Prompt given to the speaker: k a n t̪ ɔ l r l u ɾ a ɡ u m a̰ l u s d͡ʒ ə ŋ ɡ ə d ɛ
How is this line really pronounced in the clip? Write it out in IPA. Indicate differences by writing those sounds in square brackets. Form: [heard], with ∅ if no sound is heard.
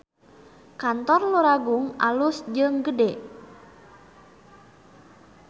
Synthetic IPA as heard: k a n t̪ ɔ [∅] r l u ɾ a ɡ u [ŋ] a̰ l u s d͡ʒ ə ŋ ɡ ə d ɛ